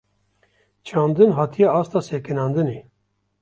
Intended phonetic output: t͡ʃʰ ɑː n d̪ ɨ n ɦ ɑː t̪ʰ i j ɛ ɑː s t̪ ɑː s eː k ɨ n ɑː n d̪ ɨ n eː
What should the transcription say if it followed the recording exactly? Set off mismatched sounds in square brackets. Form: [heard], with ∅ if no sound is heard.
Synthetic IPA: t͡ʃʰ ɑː n d̪ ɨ n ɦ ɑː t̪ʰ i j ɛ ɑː s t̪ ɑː s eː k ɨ n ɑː n d̪ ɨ n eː